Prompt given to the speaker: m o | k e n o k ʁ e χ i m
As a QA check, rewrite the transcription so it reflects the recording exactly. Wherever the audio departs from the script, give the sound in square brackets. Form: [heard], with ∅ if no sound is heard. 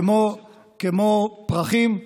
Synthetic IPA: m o | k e [m] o [p] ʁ [a] χ i m